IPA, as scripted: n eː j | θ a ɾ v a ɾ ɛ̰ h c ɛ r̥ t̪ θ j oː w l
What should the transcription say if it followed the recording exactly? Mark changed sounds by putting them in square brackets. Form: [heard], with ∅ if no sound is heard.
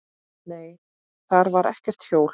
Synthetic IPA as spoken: n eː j | θ a ɾ v a ɾ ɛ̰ h c ɛ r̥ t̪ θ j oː w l